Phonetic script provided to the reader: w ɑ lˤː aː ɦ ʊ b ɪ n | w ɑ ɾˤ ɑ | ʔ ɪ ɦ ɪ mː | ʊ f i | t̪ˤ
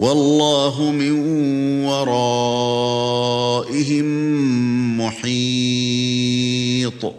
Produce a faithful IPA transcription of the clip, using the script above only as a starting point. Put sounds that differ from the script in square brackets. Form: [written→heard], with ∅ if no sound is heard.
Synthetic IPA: w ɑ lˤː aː ɦ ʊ [b→m] ɪ n | w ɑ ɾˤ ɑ | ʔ ɪ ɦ ɪ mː | ʊ [f→ħ] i | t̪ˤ